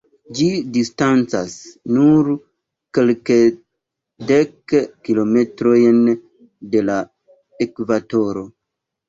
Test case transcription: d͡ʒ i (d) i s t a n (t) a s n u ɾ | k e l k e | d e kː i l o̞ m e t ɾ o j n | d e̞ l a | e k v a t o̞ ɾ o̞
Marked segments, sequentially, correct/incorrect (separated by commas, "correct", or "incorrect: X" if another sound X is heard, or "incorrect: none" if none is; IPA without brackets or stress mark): correct, incorrect: t͡s